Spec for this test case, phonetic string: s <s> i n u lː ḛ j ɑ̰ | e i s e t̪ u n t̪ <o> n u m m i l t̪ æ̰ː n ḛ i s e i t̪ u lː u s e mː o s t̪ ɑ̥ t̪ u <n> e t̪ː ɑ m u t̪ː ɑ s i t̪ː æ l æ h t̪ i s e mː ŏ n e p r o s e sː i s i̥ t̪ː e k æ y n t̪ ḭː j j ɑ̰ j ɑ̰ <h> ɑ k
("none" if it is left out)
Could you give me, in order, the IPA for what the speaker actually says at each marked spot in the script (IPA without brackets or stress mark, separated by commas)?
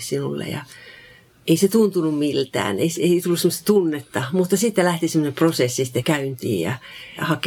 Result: s, u, nː, h